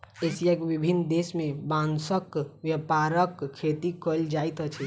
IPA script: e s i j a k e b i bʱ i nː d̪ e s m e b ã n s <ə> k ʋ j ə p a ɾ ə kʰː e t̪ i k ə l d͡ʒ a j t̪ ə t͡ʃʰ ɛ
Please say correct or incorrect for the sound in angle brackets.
correct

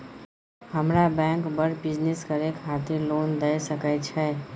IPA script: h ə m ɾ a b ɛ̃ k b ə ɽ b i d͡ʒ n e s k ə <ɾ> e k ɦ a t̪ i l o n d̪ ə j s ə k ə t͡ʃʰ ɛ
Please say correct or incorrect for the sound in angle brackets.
correct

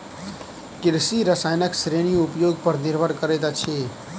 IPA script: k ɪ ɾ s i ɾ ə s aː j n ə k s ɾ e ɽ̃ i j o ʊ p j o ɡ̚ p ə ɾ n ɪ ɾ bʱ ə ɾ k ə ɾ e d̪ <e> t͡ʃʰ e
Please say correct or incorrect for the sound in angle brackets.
incorrect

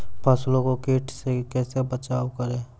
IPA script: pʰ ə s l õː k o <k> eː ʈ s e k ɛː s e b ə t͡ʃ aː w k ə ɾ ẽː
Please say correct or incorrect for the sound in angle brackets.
correct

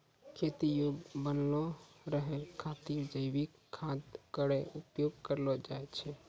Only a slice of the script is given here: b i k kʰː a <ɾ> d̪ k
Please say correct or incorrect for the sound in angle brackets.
incorrect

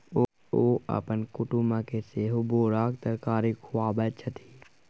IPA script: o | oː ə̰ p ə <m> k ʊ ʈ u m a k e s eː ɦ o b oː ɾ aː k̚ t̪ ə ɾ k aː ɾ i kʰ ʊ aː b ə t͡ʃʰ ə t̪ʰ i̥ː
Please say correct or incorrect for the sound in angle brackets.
incorrect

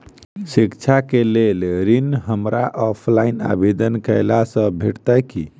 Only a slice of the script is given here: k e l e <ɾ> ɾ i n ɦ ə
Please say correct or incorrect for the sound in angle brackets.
incorrect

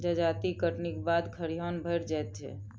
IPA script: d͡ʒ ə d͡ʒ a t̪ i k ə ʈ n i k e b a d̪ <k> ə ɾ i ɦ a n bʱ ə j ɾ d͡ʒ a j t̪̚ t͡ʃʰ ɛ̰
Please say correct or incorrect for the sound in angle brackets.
incorrect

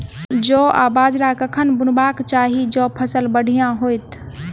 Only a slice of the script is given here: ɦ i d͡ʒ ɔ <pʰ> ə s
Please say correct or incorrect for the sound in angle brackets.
correct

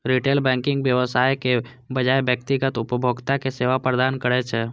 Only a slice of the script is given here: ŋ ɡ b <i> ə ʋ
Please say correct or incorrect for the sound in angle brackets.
incorrect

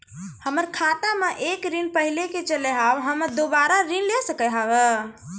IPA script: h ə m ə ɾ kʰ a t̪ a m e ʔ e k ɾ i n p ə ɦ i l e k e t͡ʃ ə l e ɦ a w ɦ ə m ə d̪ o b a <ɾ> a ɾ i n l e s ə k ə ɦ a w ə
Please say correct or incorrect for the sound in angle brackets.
correct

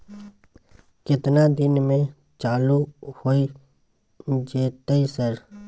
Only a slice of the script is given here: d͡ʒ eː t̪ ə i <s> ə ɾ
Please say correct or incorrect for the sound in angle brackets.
correct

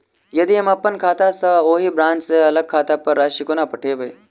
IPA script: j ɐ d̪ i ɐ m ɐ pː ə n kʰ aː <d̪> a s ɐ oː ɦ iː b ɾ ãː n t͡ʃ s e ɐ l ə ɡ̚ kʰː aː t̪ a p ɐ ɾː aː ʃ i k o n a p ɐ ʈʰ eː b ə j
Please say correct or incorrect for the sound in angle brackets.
incorrect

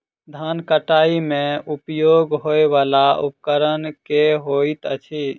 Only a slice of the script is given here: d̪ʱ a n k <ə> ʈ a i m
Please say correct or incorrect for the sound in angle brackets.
correct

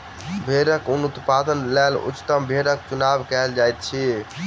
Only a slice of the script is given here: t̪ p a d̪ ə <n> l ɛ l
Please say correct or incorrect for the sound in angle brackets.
correct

